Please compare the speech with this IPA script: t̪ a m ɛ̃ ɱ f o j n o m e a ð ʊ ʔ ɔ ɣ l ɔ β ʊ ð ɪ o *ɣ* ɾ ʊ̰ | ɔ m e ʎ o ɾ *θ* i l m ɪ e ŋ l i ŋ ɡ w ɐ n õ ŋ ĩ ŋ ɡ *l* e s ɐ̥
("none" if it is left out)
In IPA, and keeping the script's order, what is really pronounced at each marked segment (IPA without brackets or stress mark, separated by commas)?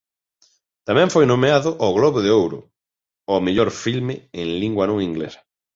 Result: w, f, l